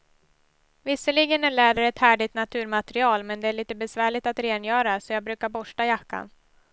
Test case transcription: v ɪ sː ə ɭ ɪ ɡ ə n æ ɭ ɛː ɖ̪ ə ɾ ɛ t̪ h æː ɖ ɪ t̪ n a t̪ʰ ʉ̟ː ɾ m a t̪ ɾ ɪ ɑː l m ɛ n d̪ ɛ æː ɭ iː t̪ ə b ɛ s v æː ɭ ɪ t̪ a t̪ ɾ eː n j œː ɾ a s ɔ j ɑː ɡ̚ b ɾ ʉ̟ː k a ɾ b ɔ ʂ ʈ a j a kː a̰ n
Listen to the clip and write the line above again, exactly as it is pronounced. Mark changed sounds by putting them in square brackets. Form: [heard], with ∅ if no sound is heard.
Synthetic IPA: v ɪ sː ə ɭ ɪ ɡ ə n æ ɭ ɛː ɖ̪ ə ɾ ɛ t̪ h æː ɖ ɪ t̪ n a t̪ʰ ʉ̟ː ɾ m a t̪ ɾ ɪ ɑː l m ɛ n d̪ ɛ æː ɭ iː t̪ ə b ɛ s v æː ɭ ɪ t̪ a t̪ ɾ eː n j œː ɾ a s ɔ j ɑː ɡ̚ b ɾ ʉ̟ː k a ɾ b ɔ ʂ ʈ a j a kː a̰ n